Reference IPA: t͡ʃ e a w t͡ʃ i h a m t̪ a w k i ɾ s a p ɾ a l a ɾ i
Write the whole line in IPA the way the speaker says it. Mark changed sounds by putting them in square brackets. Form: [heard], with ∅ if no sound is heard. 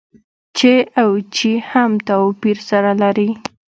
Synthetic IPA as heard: t͡ʃ e a w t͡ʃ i h a m t̪ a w [p] i ɾ s a [∅] ɾ a l a ɾ i